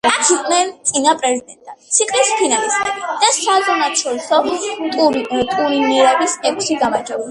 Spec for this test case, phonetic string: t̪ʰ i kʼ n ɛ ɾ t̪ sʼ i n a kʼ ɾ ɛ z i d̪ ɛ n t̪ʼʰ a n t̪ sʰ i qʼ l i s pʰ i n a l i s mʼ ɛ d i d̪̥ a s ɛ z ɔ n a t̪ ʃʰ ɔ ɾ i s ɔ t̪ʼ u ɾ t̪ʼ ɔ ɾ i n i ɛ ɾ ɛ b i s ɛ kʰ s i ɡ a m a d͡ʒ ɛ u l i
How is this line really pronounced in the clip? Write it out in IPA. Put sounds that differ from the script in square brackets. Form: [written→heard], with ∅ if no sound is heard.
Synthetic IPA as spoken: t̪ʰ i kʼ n ɛ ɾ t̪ sʼ i n a [kʼ→pʼ] ɾ ɛ z i d̪ ɛ n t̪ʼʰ a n t̪ sʰ i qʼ l i s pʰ i n a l i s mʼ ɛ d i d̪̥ a s [ɛ→a] z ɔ n a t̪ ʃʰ ɔ ɾ i s ɔ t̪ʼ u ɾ t̪ʼ [ɔ→u] ɾ i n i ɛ ɾ ɛ b i s ɛ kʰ s i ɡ a m a d͡ʒ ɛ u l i